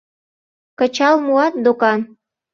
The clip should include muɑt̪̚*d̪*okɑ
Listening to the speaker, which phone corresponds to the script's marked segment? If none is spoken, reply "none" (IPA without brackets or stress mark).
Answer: d̪